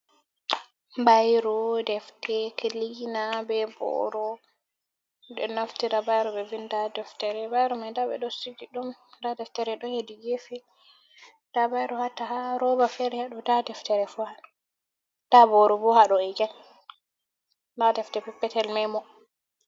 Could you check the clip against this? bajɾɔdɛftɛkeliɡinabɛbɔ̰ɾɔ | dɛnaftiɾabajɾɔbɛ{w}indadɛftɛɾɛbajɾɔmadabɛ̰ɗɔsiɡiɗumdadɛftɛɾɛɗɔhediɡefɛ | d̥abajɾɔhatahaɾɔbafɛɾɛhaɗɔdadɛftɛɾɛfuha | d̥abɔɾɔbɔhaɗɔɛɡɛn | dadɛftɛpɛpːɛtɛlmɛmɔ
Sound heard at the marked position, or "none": v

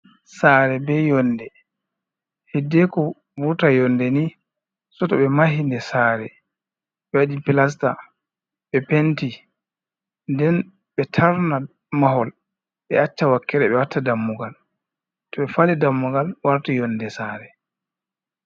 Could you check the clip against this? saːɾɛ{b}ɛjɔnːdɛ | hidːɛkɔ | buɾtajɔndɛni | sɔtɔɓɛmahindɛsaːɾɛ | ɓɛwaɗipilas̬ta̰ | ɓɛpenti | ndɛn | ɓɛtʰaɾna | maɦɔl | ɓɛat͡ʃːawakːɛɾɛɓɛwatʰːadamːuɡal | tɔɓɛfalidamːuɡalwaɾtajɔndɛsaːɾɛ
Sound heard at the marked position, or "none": b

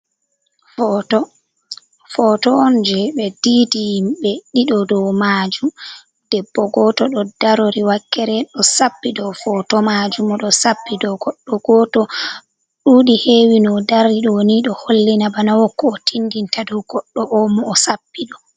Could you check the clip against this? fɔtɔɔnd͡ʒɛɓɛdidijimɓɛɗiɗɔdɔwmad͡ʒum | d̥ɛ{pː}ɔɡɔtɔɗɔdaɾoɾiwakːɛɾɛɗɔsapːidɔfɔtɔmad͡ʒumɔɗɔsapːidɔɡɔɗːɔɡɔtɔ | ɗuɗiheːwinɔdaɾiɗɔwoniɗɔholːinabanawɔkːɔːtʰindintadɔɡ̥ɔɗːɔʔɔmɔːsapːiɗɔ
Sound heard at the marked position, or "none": bː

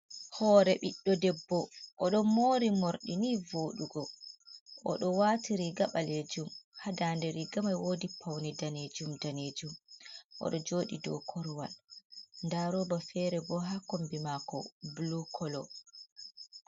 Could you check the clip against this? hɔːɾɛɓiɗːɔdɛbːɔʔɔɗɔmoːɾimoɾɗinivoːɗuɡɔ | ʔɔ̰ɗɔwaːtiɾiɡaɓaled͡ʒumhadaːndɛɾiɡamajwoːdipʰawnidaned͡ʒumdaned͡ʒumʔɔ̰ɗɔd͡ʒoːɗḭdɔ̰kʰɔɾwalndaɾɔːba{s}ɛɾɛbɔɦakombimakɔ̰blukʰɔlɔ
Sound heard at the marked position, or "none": f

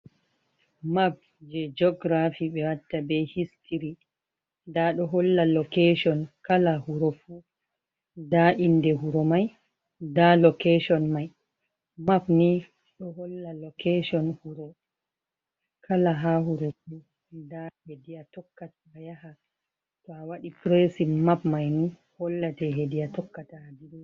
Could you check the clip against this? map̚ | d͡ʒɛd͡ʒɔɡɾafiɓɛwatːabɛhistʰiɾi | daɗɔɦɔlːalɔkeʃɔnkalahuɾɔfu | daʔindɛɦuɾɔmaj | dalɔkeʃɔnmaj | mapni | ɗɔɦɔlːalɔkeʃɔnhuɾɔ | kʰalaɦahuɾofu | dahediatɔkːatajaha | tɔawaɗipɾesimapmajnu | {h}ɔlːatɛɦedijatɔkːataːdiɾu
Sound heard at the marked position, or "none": h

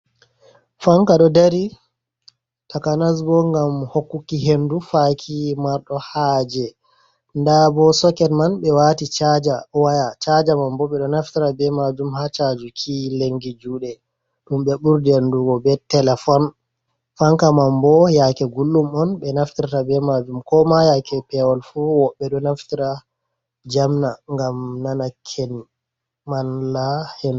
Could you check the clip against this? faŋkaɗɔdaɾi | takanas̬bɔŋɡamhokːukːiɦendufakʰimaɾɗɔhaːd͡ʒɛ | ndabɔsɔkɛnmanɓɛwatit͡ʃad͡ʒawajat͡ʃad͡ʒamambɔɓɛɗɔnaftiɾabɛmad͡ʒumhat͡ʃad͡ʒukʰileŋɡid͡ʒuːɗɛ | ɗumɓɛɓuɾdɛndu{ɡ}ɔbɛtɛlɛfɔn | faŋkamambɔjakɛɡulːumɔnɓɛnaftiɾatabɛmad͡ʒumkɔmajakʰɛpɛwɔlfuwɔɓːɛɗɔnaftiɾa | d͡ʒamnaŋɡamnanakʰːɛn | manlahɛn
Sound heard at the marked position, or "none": ɡ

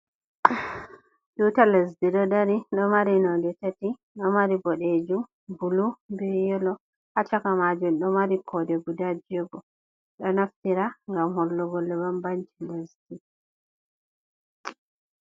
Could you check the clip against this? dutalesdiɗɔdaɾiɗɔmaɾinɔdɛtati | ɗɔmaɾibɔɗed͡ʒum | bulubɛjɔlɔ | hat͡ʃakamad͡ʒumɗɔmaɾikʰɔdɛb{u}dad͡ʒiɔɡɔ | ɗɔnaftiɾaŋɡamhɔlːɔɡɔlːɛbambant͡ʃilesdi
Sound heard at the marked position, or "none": u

